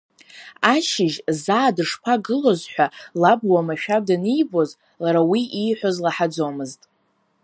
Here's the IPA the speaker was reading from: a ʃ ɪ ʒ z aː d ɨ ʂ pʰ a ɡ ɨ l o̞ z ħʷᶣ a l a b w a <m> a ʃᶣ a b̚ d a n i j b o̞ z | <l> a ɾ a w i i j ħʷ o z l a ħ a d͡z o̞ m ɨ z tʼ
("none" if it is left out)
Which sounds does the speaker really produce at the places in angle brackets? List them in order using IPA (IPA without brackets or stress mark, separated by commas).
m, l